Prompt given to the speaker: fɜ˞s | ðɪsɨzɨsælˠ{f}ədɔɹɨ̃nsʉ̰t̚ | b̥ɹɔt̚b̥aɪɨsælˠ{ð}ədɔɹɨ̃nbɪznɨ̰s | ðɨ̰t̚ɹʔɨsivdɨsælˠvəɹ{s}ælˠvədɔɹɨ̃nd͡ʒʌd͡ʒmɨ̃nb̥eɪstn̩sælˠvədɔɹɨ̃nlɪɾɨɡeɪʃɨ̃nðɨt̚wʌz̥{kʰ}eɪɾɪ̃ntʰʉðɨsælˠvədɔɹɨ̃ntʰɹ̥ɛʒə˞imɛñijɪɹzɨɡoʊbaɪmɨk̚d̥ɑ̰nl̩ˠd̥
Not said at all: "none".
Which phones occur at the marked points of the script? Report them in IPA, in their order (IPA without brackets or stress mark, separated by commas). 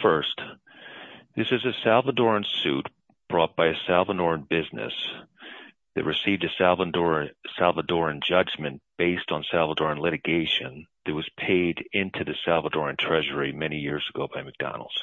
v, v, s, pʰ